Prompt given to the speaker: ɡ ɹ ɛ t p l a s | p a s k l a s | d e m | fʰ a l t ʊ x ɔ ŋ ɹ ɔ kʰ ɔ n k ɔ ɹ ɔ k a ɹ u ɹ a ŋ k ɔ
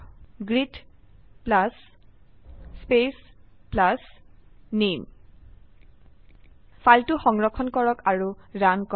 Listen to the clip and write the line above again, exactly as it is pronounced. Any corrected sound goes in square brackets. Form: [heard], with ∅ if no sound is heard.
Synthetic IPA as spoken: ɡ ɹ [i] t p l a s | p [e] s [p] l a s | [n] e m | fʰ a l t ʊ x ɔ ŋ ɹ ɔ kʰ ɔ n k ɔ ɹ ɔ k a ɹ u ɹ a [n] k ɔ